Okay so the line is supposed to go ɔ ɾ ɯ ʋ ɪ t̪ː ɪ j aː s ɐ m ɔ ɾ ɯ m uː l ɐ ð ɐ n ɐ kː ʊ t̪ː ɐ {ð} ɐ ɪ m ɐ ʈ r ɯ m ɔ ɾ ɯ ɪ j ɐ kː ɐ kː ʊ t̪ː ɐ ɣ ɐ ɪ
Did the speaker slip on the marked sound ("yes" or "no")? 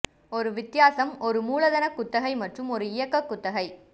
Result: yes